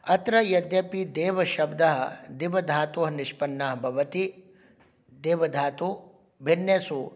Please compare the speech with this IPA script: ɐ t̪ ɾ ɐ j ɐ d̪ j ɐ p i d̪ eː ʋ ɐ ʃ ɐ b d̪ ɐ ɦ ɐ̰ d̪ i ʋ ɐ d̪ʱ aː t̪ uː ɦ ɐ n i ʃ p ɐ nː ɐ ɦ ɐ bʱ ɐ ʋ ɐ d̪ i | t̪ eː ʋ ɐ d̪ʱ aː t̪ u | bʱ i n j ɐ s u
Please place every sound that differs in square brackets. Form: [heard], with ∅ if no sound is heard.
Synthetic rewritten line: ɐ t̪ ɾ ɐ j ɐ d̪ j ɐ p i d̪ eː ʋ ɐ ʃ ɐ b d̪ ɐ ɦ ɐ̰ d̪ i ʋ ɐ d̪ʱ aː t̪ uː ɦ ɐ n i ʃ p ɐ nː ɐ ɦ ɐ bʱ ɐ ʋ ɐ [t̪] i | [d̪] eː ʋ ɐ d̪ʱ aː t̪ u | bʱ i n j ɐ s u